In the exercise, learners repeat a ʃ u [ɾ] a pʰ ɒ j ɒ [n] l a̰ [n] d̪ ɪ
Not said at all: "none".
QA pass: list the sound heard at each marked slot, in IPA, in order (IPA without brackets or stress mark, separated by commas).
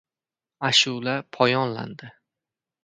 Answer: l, n, n